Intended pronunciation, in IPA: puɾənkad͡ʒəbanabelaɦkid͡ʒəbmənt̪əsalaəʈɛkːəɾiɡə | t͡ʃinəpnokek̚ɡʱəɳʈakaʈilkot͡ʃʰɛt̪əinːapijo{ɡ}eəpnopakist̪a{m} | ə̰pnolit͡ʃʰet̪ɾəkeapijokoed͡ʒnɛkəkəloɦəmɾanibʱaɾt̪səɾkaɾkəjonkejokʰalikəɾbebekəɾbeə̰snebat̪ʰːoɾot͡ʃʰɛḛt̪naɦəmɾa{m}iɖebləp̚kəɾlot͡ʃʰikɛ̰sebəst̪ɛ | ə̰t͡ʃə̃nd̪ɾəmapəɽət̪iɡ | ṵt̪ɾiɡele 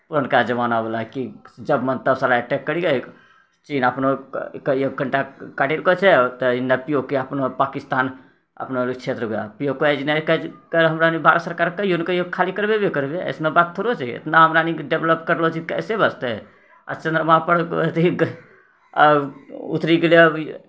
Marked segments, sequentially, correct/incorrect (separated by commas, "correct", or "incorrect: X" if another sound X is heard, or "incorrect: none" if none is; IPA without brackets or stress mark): incorrect: k, incorrect: n, incorrect: n